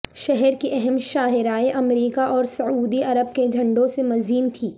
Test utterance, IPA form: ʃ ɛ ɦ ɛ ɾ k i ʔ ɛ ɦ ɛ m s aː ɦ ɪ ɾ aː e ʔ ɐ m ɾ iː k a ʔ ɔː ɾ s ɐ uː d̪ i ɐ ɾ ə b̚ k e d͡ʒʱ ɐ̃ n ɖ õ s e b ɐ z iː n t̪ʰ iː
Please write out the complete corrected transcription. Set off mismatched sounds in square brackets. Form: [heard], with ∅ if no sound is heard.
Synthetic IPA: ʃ ɛ ɦ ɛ ɾ k i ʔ ɛ ɦ ɛ m [ʃ] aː ɦ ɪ ɾ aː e ʔ ɐ m ɾ iː k a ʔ ɔː ɾ s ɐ uː d̪ i ɐ ɾ ə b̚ k e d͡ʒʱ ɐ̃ [ɳ] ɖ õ s e [m] ɐ z iː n t̪ʰ iː